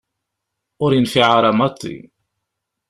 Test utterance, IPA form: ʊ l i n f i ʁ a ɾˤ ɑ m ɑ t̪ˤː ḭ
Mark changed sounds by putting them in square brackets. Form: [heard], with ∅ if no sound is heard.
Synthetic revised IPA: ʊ [ɾ] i n f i [ʕ] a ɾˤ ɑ m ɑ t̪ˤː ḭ